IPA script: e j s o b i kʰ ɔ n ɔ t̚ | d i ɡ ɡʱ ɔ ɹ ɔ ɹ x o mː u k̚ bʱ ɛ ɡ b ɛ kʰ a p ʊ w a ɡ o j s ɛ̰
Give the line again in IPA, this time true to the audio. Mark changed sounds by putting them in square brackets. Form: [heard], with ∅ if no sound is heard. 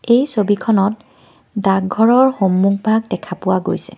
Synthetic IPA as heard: e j s o b i kʰ ɔ n ɔ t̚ | d [a] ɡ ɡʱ ɔ ɹ ɔ ɹ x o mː u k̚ bʱ [a] ɡ [d] ɛ kʰ a p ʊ w a ɡ o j s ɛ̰